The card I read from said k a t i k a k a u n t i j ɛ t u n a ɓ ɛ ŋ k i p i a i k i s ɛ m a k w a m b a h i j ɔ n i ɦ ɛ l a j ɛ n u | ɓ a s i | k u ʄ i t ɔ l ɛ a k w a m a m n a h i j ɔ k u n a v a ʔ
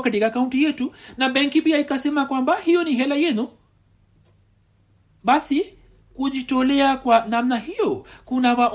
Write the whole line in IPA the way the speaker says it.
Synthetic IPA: k a t i k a k a u n t i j ɛ t u n a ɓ ɛ ŋ k i p i a i k a s ɛ m a k w a m b a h i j ɔ n i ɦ ɛ l a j ɛ n u | ɓ a s i | k u ʄ i t ɔ l ɛ a k w a n a m n a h i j ɔ k u n a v a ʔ